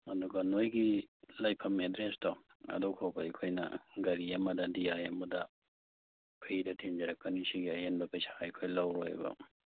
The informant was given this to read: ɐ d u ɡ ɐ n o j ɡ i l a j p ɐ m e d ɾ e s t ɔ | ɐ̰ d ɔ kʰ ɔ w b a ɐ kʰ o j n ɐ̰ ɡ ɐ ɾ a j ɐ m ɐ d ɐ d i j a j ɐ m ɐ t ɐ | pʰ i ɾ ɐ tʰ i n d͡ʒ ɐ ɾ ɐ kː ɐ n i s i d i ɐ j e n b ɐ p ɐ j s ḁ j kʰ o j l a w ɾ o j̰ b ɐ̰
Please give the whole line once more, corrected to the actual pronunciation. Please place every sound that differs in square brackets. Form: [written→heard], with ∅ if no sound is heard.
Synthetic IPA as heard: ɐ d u ɡ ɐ n o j ɡ i l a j [p→pʰ] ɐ m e d ɾ e s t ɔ | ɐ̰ d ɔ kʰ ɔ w b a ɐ kʰ o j n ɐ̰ ɡ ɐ ɾ [a→i] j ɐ m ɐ d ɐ d i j a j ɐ m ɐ [t→d] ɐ | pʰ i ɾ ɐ tʰ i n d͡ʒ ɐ ɾ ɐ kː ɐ n i s i [d→ɡ] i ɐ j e n b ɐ p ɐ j s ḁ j kʰ o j l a w ɾ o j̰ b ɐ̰